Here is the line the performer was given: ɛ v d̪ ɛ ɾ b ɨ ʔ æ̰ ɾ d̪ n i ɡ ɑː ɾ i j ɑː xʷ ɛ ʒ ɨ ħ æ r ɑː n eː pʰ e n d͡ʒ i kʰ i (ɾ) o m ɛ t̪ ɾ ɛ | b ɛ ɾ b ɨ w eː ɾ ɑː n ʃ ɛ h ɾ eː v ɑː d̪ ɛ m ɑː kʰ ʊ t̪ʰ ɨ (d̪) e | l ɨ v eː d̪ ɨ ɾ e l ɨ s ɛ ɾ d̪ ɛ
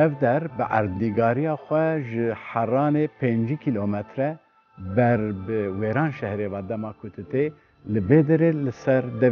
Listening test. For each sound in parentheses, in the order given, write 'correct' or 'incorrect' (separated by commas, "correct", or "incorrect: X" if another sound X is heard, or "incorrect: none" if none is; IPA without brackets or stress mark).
incorrect: l, incorrect: t̪